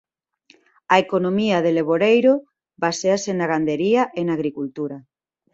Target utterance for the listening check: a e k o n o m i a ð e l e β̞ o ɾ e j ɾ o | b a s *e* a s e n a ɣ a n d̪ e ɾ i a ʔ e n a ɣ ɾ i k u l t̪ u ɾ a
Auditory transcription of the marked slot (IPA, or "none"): e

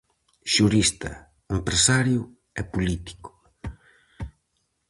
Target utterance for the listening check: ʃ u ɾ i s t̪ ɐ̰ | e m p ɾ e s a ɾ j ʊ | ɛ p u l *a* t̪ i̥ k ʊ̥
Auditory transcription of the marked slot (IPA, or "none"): i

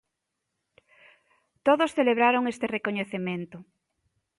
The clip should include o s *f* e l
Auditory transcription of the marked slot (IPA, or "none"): θ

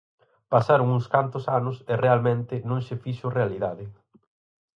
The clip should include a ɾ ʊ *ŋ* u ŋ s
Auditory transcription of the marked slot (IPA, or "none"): ŋ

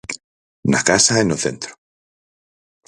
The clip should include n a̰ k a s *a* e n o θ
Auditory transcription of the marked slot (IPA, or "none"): a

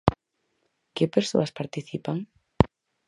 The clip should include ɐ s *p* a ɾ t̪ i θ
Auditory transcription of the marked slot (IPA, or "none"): p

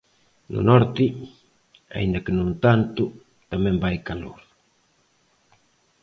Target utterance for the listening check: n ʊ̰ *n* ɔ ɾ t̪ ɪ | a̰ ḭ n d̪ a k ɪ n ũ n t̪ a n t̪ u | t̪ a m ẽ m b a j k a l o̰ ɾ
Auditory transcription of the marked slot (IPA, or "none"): n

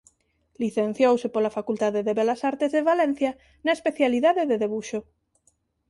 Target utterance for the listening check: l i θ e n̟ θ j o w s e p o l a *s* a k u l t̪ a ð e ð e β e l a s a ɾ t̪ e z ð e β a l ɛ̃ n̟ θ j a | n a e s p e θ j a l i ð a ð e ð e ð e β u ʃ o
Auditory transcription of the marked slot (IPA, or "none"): f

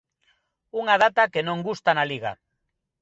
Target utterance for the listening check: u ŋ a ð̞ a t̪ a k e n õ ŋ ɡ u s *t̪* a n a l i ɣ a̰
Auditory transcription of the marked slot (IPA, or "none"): t̪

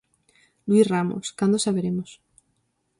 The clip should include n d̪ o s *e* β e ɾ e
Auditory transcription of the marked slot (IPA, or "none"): a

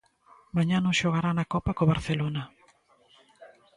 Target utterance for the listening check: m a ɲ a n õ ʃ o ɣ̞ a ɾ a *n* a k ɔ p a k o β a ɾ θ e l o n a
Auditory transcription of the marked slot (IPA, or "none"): n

